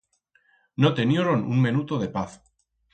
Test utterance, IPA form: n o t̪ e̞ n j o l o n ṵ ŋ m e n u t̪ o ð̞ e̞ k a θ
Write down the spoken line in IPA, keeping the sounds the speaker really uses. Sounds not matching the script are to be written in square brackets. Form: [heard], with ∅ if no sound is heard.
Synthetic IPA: n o t̪ e̞ n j o [ɾ] o n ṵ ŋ m e n u t̪ o ð̞ e̞ [p] a θ